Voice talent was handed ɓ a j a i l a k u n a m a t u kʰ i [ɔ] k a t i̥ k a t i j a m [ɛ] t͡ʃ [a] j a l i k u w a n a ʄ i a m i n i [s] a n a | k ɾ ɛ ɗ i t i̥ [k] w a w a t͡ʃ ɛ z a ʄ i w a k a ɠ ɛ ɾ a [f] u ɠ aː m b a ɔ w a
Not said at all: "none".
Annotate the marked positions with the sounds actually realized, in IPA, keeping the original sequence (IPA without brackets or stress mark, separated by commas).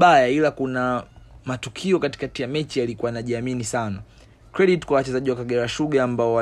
ɔ, ɛ, i, s, k, ʃ